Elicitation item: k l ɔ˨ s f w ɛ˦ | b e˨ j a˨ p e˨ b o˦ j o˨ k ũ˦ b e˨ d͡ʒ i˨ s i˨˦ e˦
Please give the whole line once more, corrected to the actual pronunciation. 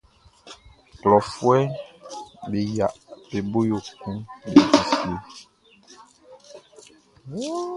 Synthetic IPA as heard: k l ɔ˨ f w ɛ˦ | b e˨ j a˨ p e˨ b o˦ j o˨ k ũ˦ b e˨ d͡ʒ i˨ s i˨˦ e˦